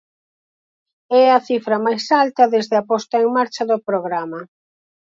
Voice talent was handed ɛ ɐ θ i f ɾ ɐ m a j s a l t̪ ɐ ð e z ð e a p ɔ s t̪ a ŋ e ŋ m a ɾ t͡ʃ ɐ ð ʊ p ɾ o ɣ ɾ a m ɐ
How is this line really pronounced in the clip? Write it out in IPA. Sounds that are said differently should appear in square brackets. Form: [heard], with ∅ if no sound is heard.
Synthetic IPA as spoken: ɛ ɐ θ i f ɾ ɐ m a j s a l t̪ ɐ ð e z ð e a p ɔ s t̪ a [∅] e ŋ m a ɾ t͡ʃ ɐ ð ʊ p ɾ o ɣ ɾ a m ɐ